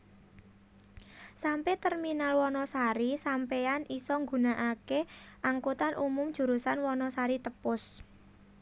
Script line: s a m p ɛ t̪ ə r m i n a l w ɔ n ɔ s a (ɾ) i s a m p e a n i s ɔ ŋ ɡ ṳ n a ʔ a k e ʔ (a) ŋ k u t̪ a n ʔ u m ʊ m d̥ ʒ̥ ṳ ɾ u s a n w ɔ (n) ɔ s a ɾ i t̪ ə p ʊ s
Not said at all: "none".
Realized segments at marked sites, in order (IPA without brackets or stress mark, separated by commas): ɾ, a, n